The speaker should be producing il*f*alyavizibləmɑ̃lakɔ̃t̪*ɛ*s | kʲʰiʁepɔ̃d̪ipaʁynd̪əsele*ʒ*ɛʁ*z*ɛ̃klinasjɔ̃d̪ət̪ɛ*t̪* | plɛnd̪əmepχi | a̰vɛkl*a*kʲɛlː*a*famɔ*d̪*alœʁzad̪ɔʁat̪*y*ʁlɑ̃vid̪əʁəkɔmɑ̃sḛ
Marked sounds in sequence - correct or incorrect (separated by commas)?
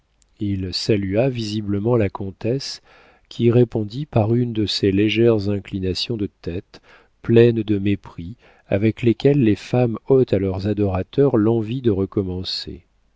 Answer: incorrect, correct, correct, correct, correct, incorrect, incorrect, incorrect, incorrect